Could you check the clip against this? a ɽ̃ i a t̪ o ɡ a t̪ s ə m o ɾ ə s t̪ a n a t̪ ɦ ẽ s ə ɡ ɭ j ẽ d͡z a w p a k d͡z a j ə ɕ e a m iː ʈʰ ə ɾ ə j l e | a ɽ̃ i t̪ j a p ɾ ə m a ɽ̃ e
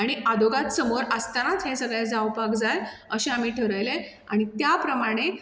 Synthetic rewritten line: a ɽ̃ i a d̪ o ɡ a t̪ s ə m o ɾ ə s t̪ a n a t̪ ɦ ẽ s ə ɡ ɭ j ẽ d͡z a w p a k d͡z a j ə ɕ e a m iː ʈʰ ə ɾ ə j l e | a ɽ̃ i t̪ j a p ɾ ə m a ɽ̃ e